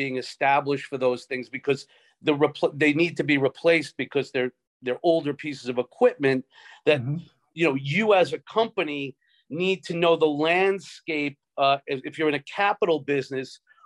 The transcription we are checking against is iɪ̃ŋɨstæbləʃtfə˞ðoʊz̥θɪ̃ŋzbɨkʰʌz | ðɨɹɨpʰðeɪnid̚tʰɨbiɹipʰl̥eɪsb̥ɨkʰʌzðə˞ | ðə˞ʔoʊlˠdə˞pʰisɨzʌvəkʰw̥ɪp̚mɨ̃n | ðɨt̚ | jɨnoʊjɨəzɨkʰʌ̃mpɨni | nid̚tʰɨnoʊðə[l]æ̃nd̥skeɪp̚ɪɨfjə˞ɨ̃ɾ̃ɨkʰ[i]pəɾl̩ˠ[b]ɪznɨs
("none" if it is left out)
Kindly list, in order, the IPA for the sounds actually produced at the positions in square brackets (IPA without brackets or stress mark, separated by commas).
l, æ, b